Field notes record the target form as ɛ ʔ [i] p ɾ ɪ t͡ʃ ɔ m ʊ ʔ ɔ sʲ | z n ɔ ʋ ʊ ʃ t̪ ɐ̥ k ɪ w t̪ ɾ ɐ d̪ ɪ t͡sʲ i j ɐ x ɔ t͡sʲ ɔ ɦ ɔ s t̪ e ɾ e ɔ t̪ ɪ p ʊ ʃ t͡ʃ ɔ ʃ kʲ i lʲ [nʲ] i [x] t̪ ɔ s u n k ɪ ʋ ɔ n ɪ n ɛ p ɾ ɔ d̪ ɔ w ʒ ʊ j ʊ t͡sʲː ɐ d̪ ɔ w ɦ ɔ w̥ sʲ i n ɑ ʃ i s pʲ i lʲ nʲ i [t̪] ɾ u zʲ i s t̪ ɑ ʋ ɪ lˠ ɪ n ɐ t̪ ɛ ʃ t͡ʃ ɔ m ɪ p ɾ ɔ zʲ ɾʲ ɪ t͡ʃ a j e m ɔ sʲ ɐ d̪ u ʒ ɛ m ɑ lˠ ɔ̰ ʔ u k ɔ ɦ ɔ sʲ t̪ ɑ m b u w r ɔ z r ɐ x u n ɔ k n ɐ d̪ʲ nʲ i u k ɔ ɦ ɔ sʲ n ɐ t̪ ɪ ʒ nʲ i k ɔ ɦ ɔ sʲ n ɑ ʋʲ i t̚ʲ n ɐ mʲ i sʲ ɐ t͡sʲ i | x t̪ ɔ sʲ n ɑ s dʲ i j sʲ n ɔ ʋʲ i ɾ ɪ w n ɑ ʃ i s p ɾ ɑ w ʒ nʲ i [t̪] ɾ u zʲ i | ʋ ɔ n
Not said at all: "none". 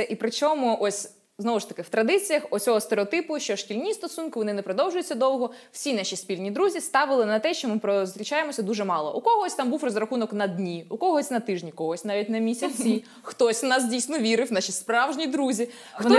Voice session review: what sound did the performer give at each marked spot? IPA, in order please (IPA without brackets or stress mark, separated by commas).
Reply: i, nʲ, s, d̪, d̪